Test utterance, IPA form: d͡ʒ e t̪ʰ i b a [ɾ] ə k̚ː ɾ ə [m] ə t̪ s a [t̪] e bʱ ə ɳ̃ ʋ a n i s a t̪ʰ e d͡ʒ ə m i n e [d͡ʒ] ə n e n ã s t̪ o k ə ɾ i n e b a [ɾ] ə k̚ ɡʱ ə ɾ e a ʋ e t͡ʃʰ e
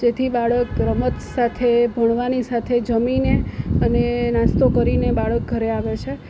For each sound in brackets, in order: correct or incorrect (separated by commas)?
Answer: incorrect, correct, incorrect, incorrect, incorrect